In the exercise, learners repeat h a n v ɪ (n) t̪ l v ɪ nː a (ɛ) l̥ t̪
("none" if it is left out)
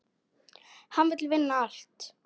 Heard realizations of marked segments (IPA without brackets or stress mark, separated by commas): none, a